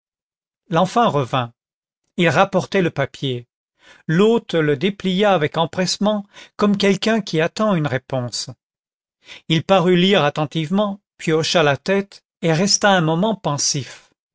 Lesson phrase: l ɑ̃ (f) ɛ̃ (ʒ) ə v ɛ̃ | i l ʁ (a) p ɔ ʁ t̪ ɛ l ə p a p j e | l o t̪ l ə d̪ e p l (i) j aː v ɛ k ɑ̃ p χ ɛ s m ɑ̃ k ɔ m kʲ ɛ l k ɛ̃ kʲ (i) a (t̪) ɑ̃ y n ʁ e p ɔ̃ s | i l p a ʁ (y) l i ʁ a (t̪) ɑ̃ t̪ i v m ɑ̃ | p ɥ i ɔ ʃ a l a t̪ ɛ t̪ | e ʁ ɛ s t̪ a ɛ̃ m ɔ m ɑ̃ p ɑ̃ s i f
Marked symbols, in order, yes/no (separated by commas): yes, no, yes, yes, yes, yes, yes, yes